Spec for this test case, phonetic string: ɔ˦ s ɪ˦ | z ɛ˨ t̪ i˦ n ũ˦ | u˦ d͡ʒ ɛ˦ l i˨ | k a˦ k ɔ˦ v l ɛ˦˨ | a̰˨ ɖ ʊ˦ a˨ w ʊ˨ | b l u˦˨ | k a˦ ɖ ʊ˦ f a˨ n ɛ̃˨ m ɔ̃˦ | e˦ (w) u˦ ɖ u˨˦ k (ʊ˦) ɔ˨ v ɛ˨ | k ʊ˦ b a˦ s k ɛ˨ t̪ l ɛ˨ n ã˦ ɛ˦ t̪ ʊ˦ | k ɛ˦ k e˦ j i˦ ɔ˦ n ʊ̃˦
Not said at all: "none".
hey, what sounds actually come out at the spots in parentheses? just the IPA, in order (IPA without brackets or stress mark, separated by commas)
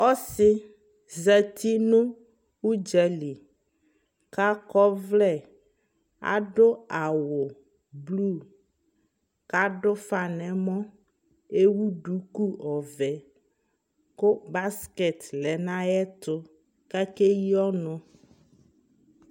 w, u˦